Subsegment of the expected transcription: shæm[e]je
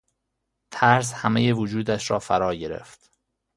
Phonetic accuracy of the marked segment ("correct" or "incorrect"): correct